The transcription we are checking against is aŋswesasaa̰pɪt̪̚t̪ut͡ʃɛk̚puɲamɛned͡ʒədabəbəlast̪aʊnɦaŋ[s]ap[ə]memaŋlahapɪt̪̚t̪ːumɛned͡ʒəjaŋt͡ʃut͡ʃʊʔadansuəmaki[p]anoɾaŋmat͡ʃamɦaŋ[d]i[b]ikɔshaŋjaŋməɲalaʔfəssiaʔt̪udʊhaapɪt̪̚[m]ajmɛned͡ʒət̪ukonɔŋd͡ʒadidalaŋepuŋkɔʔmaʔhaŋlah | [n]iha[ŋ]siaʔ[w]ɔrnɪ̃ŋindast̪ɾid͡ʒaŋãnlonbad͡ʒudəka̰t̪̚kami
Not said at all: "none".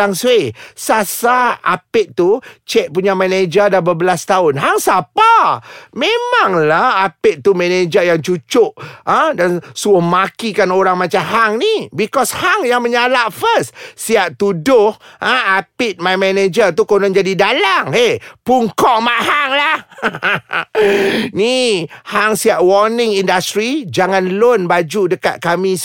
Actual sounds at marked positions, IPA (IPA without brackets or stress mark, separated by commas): s, a, k, n, b, m, n, ŋ, w